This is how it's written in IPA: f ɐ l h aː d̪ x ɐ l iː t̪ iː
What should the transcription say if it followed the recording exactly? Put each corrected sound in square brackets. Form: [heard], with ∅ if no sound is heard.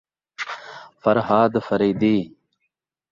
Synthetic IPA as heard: f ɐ [ɾ] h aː d̪ [f] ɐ [ɾ] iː [d̪] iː